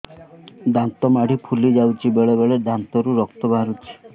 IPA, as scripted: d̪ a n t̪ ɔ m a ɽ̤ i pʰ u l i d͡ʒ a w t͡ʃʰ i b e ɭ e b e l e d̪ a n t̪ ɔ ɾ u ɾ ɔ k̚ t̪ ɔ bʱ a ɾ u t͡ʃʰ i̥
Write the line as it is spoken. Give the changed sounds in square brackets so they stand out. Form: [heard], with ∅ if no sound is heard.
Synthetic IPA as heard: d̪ a n t̪ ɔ m a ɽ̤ i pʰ u l i d͡ʒ a w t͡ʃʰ i b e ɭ e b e [ɭ] e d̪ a n t̪ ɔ ɾ u ɾ ɔ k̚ t̪ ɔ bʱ a ɾ u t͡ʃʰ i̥